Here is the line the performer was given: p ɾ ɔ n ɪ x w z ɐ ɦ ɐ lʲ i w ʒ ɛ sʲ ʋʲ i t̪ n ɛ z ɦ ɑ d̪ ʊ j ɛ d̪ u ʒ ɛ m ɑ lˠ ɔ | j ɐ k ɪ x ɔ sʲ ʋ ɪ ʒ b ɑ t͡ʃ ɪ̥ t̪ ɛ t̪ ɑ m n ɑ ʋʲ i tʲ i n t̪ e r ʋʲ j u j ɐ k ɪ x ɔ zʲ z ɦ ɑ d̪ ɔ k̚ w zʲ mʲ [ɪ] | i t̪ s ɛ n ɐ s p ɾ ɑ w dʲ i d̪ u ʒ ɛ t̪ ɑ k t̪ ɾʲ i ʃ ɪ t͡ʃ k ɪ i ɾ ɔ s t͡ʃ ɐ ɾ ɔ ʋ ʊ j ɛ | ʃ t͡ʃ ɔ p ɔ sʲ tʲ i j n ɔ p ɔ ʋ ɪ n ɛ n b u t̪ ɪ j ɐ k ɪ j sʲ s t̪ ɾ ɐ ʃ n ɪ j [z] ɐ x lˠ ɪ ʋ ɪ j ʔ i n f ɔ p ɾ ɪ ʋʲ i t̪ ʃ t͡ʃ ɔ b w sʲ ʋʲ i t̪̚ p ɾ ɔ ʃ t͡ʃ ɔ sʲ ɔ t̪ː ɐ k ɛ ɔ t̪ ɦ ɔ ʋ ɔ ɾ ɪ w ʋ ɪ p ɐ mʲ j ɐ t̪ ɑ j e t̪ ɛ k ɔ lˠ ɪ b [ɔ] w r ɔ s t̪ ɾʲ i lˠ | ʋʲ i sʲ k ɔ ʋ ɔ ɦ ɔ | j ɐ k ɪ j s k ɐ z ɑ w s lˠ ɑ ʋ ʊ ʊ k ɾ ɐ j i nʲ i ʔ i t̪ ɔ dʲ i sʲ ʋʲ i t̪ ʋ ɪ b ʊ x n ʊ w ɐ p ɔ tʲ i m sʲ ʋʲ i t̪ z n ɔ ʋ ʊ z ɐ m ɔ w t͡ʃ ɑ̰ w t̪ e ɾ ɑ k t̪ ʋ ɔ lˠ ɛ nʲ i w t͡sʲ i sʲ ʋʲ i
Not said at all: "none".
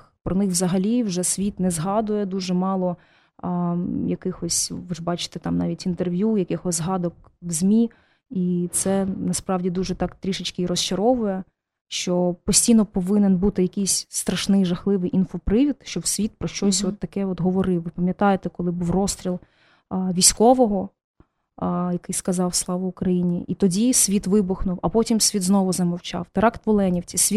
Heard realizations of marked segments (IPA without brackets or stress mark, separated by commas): i, ʒ, u